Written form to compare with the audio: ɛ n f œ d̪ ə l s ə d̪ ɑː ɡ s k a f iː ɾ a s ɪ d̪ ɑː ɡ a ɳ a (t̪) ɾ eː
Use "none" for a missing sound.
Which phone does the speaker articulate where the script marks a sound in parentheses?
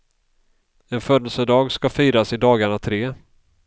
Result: t̪ʰ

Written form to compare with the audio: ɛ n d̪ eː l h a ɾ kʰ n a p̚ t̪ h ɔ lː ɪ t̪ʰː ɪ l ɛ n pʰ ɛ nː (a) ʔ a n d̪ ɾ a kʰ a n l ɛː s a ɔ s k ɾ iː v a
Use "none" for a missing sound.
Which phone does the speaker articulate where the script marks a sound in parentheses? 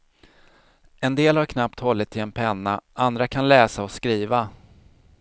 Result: a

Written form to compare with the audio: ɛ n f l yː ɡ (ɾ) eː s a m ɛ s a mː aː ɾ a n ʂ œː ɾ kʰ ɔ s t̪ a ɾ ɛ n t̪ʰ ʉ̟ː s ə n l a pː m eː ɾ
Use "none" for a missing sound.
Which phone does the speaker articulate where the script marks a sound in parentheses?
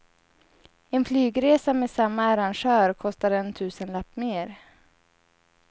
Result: ɾ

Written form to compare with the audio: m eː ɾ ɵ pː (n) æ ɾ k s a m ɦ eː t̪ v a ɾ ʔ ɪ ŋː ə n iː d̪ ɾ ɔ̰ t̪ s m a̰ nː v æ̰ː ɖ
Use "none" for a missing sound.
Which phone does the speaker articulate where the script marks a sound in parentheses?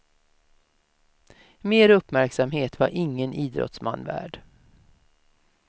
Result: m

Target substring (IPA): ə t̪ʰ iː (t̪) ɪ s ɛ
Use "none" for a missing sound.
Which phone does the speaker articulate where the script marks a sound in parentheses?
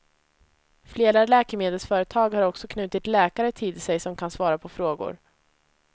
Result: d̪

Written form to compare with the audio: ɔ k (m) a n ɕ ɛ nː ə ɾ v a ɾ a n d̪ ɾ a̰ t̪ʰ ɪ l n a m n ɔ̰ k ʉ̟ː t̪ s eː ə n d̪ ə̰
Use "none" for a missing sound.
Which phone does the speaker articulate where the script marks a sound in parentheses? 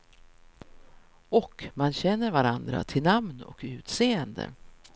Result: m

